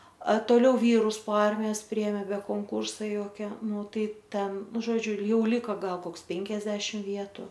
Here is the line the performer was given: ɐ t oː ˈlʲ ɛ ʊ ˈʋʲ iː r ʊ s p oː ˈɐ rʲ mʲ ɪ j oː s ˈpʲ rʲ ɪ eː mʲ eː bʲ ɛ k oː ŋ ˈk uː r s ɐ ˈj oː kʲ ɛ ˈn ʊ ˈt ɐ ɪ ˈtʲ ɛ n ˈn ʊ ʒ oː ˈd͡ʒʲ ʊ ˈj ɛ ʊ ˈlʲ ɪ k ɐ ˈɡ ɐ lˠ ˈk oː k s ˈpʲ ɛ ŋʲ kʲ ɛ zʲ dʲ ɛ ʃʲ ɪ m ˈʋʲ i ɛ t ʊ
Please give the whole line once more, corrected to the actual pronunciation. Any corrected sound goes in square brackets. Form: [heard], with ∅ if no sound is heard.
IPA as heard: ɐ t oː ˈlʲ ɛ ʊ ˈʋʲ iː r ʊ s p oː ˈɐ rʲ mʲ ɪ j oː s ˈpʲ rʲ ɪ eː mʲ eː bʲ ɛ k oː ŋ ˈk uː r s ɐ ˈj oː kʲ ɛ ˈn ʊ ˈt ɐ ɪ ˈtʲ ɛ n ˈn ʊ ʒ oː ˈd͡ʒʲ ʊ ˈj ɛ ʊ ˈlʲ ɪ k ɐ ˈɡ ɐ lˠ ˈk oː k s ˈpʲ ɛ ŋʲ kʲ ɛ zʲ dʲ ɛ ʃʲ ɪ m ˈʋʲ i ɛ t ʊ